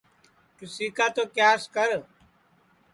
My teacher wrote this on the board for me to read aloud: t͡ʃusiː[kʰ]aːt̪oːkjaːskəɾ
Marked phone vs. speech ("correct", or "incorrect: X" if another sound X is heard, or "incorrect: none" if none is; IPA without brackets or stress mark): incorrect: k